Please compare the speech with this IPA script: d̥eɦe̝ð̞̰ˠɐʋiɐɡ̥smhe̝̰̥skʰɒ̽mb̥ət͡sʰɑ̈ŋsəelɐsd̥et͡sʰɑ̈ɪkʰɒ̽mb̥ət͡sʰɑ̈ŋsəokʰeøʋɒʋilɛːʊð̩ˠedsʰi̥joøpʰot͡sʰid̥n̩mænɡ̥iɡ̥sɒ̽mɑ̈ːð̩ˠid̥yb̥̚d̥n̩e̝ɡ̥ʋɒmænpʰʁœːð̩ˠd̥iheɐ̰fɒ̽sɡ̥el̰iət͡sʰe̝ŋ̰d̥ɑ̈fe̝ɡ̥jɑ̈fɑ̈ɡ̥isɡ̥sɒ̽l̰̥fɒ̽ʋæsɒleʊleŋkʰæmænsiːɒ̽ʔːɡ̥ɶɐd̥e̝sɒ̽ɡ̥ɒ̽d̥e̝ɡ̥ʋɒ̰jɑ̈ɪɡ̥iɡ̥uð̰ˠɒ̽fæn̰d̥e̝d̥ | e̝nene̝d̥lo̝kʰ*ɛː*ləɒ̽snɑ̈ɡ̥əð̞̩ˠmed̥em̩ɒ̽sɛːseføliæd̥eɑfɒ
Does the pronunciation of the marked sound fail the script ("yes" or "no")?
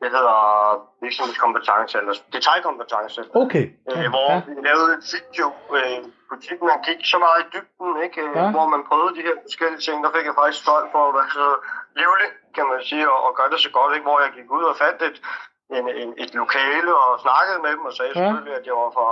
no